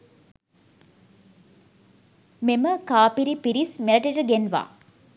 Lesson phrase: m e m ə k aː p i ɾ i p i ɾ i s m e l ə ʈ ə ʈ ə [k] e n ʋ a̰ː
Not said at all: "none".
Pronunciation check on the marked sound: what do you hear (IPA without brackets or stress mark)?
ɡ